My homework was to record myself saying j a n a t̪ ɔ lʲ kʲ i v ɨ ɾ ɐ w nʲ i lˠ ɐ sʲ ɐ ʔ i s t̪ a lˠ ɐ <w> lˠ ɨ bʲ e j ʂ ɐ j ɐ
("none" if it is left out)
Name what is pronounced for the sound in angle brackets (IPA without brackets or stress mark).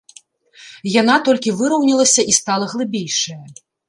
ɣ